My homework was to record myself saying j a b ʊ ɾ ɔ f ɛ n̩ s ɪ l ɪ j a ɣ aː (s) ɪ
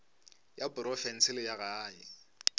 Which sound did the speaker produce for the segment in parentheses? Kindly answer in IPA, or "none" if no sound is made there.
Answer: none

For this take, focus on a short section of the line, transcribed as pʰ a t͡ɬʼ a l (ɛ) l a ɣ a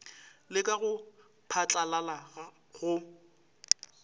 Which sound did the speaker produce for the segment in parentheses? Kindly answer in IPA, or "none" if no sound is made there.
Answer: a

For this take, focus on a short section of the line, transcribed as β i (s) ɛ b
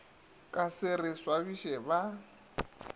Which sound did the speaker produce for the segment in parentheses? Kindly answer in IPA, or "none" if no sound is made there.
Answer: ʃ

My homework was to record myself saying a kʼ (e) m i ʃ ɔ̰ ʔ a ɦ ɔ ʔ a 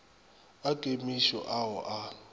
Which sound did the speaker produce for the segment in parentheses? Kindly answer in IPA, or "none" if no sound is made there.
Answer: e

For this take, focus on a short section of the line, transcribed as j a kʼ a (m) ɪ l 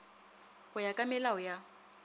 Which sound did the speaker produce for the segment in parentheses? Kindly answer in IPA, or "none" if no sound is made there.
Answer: m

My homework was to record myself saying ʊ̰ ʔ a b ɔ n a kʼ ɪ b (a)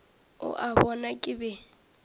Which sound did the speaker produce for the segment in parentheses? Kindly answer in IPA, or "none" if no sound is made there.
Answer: ɛ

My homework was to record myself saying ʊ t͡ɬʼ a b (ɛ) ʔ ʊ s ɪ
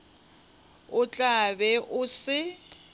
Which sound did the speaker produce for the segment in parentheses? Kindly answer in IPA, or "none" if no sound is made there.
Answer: ɛ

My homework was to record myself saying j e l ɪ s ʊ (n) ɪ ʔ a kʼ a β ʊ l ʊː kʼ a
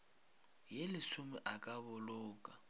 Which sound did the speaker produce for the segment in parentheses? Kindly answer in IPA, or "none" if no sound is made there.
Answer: m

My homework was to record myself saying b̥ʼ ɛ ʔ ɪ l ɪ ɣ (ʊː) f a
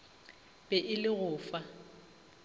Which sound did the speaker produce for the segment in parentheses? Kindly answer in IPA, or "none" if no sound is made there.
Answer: ʊː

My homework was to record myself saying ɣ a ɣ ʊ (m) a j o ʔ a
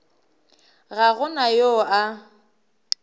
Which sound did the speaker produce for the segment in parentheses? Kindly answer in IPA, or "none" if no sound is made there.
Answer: n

